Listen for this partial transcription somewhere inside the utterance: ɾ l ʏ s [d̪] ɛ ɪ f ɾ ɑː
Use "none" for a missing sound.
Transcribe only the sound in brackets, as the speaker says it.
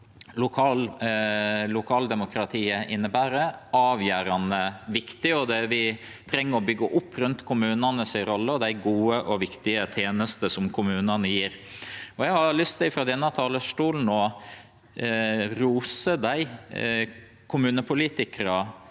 t̪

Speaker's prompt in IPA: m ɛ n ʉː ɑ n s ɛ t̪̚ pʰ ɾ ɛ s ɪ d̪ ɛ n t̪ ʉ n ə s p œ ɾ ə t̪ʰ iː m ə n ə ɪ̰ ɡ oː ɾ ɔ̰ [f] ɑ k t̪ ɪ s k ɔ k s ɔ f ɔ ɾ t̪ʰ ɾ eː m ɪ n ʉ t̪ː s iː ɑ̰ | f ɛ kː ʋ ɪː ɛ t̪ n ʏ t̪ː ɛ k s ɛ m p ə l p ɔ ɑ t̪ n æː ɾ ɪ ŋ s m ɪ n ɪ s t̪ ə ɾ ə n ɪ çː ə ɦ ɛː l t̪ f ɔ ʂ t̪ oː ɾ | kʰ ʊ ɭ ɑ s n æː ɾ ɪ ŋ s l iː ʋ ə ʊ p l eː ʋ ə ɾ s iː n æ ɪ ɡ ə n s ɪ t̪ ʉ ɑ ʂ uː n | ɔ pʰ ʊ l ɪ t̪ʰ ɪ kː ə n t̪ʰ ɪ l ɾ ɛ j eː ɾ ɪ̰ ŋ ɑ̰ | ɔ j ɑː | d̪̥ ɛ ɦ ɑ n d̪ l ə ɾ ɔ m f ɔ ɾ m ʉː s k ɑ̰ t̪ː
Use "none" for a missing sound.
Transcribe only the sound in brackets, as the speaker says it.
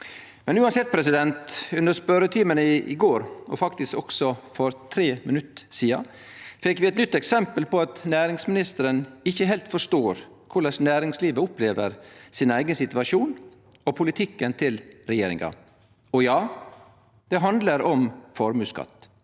f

